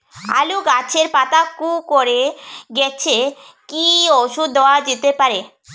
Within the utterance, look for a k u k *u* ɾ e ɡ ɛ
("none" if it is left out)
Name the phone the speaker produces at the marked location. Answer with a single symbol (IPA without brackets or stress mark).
o